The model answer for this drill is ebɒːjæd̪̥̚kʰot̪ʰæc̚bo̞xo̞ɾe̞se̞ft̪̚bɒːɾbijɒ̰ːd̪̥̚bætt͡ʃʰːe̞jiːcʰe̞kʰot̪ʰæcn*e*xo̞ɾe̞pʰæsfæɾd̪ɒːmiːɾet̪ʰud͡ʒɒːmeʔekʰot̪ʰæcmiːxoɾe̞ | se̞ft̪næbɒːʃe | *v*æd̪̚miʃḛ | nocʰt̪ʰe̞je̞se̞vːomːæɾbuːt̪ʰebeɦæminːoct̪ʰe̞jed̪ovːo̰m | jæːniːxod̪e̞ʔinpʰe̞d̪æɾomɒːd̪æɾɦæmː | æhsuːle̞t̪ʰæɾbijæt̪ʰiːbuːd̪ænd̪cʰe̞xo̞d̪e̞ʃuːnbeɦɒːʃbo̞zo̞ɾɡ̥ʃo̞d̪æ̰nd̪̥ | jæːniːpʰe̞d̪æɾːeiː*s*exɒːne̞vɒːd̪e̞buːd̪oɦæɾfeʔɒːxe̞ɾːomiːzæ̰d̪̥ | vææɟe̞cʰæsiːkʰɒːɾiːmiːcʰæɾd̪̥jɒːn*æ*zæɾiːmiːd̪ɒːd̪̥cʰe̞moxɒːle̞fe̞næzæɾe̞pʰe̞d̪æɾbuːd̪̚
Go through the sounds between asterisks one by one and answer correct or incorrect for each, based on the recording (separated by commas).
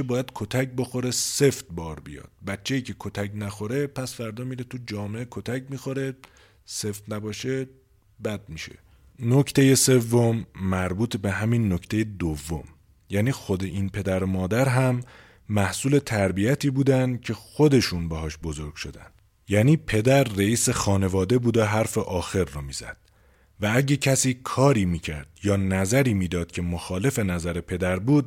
incorrect, incorrect, correct, correct